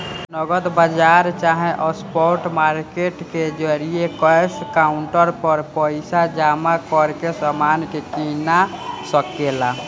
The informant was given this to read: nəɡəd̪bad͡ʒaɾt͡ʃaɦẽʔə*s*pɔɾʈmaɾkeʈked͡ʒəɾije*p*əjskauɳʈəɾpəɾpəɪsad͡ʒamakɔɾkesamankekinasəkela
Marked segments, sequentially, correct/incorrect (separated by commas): correct, incorrect